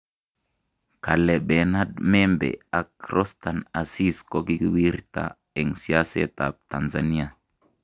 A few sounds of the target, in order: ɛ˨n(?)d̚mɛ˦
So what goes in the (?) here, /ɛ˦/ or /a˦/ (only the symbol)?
a˦